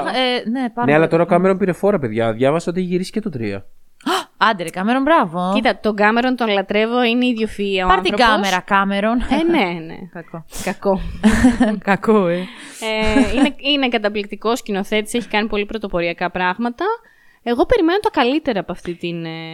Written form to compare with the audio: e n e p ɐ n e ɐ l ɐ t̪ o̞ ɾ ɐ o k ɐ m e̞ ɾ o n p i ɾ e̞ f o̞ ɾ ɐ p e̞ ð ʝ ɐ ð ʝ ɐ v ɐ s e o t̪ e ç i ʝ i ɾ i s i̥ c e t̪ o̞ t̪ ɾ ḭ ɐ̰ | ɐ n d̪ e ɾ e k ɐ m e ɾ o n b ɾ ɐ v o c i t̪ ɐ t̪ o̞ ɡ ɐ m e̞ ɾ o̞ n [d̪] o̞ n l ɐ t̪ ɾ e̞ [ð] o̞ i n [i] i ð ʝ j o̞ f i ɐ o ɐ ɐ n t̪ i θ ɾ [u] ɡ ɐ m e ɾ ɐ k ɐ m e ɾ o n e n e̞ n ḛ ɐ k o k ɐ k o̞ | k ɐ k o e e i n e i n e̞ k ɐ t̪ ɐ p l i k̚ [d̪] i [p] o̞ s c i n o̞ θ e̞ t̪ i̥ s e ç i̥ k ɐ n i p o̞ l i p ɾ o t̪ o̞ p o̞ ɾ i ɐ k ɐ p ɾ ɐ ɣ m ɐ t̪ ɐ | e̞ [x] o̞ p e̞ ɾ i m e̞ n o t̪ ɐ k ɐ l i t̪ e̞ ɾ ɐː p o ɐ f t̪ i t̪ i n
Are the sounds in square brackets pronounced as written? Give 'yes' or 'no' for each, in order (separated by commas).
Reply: no, no, no, no, no, no, no